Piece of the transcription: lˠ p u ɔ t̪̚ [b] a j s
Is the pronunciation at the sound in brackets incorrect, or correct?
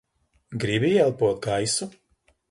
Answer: incorrect